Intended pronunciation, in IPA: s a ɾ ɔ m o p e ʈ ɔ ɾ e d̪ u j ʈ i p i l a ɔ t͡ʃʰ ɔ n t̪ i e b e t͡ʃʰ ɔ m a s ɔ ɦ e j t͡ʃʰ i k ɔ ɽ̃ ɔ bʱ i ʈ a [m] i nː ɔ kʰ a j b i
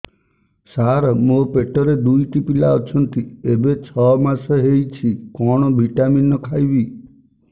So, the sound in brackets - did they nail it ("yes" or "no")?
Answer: yes